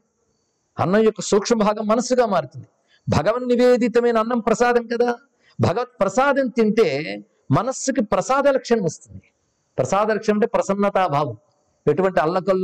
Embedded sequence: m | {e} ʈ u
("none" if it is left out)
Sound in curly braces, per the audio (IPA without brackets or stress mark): e